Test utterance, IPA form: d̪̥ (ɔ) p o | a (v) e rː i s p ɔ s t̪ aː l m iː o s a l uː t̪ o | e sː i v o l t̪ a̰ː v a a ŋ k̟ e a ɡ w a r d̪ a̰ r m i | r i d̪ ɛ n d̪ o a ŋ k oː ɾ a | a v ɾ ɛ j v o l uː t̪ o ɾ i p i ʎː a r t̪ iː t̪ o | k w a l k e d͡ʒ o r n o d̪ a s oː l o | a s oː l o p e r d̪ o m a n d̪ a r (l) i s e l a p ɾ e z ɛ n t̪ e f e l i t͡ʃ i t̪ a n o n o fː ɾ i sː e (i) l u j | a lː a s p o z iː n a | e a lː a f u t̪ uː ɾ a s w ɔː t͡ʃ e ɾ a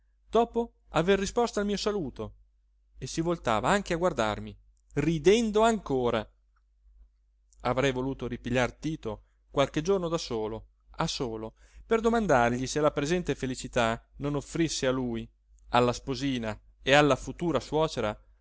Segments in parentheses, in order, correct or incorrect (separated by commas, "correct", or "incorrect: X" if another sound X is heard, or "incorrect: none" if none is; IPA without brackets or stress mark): incorrect: ɔː, correct, incorrect: ʎ, incorrect: a